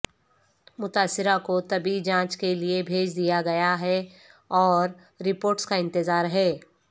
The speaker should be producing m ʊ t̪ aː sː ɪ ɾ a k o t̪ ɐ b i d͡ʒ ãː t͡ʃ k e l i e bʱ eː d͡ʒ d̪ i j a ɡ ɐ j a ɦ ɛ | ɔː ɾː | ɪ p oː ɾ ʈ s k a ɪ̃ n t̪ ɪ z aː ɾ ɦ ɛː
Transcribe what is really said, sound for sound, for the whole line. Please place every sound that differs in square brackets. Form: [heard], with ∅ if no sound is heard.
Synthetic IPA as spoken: m ʊ t̪ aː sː ɪ ɾ a k o t̪ ɐ b i d͡ʒ ãː t͡ʃ k e l i e bʱ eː d͡ʒ d̪ i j a ɡ ɐ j a ɦ ɛ | ɔː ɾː | ɪ p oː ɾ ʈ s k a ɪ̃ n t̪ ɪ z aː ɾ ɦ ɛː